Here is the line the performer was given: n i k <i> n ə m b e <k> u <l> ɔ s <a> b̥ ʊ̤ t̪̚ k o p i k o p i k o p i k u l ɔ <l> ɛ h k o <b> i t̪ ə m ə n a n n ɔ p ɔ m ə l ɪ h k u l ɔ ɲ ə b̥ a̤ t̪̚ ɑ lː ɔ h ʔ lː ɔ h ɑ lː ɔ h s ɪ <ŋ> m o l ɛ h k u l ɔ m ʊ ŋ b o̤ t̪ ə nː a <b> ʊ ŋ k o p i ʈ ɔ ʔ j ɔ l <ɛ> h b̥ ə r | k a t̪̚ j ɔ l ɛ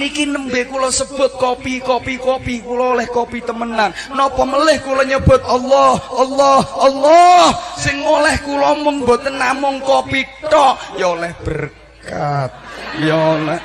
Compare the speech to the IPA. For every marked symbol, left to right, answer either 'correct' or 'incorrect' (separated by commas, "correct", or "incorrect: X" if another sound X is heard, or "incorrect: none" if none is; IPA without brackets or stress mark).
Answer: correct, correct, correct, incorrect: ə, correct, incorrect: p, correct, incorrect: m, correct